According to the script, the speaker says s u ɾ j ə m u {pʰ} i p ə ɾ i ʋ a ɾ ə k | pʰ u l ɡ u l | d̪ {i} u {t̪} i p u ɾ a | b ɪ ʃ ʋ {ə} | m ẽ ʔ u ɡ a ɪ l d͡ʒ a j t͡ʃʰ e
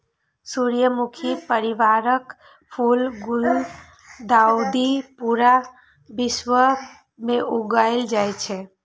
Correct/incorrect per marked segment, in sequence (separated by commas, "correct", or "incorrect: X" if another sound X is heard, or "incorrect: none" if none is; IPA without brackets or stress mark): incorrect: kʰ, incorrect: a, incorrect: d̪, correct